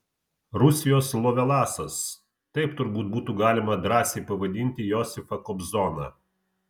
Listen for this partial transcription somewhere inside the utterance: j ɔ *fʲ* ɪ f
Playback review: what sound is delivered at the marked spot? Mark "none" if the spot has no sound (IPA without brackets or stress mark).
sʲ